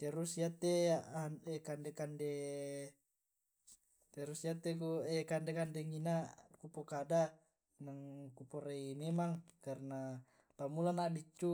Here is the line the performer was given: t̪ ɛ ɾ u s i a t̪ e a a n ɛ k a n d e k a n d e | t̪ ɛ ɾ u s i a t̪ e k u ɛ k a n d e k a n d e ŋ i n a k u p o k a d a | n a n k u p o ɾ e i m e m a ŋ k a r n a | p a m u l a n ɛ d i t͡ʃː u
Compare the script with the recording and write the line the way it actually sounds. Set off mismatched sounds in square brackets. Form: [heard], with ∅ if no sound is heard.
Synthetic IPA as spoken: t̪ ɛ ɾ u s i a t̪ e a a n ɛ k a n d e k a n d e | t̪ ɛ ɾ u s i a t̪ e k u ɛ k a n d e k a n d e ŋ i n a k u p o k a d a | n a [ŋ] k u p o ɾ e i m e m a ŋ k a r n a | p a m u l a n [a] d i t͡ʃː u